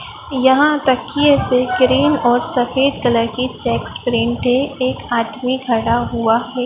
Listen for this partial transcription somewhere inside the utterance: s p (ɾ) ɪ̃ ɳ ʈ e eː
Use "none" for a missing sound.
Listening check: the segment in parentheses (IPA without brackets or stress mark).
ɾ